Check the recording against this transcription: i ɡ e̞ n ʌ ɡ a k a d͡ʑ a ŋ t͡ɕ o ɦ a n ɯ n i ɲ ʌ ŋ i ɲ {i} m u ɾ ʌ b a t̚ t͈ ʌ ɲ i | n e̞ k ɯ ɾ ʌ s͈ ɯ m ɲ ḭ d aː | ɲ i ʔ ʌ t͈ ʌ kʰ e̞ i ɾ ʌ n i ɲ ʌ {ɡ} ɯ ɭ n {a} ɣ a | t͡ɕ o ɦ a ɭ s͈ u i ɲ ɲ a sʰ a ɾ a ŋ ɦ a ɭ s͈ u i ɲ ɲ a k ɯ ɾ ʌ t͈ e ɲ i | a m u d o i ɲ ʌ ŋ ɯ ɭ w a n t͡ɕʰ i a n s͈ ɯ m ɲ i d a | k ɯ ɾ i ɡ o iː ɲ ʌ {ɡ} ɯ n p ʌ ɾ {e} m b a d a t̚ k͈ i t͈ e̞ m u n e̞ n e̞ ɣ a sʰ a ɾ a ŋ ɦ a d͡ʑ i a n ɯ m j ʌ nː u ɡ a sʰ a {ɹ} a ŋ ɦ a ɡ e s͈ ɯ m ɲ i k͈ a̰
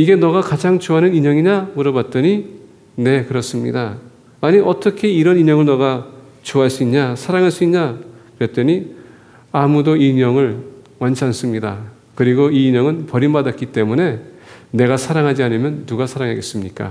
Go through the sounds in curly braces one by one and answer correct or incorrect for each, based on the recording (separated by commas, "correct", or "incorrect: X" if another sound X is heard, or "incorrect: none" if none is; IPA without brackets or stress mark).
incorrect: a, incorrect: ŋ, incorrect: ʌ, incorrect: ŋ, incorrect: i, incorrect: ɾ